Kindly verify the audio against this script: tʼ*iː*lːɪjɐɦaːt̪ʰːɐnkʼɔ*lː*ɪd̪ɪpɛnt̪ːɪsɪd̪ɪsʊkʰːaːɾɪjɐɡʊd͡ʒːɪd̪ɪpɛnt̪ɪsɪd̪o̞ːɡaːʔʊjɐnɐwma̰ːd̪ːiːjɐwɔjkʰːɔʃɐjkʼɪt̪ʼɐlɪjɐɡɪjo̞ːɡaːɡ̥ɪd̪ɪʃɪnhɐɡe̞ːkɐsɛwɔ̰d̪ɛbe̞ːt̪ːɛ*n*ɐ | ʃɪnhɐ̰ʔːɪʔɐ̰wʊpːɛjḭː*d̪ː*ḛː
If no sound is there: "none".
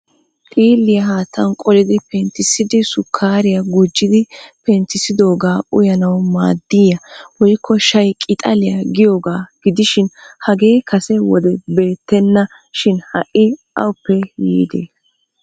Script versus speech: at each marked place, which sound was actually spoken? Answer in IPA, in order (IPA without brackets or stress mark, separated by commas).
iː, l, nː, d̪